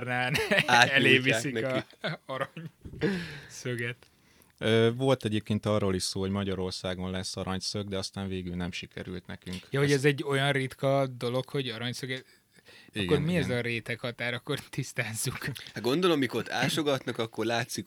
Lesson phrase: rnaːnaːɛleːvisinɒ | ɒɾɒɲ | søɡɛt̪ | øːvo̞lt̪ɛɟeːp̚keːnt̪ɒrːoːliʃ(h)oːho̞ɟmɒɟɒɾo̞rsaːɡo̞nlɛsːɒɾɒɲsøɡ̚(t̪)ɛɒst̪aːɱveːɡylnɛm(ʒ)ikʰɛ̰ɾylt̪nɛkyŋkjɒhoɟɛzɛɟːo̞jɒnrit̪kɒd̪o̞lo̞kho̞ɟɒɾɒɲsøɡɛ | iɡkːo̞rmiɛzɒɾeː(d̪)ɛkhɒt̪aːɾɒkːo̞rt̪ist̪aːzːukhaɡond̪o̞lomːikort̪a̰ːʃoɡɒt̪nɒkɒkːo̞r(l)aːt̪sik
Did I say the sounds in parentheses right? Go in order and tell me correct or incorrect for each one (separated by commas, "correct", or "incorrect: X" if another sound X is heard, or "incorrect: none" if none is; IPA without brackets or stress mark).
incorrect: s, incorrect: d̪, incorrect: ʃ, incorrect: t̪, correct